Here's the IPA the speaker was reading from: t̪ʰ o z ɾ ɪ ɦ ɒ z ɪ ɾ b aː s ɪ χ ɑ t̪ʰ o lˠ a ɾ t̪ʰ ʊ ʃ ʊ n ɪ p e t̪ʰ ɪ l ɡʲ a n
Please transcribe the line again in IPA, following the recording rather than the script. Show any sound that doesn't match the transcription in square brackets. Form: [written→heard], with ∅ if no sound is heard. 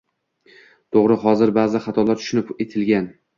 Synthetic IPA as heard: t̪ʰ o [z→ʁ] ɾ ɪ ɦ ɒ z ɪ ɾ b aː [s→z] ɪ χ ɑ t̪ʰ [o→ɒ] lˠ a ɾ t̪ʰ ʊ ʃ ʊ n ɪ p e t̪ʰ ɪ l ɡʲ a n